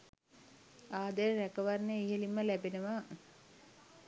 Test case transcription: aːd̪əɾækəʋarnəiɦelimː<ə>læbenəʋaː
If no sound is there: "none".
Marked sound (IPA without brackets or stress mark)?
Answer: ə